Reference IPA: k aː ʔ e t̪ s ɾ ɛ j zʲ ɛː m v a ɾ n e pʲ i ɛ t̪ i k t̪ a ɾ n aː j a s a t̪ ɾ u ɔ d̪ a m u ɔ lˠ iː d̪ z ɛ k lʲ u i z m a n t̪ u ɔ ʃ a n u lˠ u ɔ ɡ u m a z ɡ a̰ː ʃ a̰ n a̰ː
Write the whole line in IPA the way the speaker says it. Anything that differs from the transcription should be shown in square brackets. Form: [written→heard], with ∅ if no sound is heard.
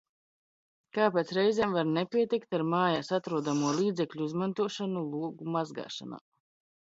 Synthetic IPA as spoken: k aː [ʔ→p] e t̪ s ɾ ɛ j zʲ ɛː m v a ɾ n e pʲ i ɛ t̪ i k t̪ a ɾ [n→m] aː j a s a t̪ ɾ u ɔ d̪ a m u ɔ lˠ iː d̪ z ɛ k lʲ u i z m a n t̪ u ɔ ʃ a n u lˠ u ɔ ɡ u m a z ɡ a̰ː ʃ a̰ n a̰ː